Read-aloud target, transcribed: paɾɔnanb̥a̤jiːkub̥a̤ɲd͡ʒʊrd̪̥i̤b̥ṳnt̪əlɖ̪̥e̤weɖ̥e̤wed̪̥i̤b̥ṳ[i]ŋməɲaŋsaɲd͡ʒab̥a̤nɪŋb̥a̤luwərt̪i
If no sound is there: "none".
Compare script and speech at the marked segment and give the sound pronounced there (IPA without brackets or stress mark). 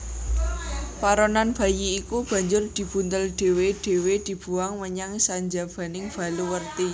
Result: a